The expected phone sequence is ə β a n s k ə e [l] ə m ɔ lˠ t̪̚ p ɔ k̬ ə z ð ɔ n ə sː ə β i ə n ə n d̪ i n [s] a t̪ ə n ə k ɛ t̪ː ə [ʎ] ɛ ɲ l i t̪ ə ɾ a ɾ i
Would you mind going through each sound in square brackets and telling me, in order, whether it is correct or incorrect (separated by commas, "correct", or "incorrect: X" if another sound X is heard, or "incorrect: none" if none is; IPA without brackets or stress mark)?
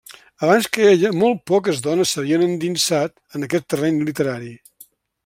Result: incorrect: ʎ, correct, incorrect: r